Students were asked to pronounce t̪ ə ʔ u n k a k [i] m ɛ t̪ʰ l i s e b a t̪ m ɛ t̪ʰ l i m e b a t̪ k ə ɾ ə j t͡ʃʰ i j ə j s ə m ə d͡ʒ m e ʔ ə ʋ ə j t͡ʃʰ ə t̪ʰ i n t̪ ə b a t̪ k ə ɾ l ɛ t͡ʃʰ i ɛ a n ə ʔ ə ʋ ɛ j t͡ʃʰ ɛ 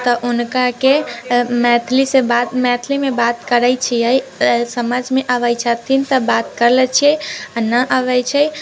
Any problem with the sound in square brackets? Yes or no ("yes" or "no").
yes